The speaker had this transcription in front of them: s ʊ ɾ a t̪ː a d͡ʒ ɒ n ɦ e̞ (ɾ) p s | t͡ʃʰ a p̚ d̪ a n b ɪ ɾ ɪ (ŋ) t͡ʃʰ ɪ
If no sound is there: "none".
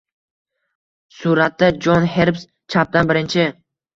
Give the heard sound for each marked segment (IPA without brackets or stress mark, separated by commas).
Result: ɾ, n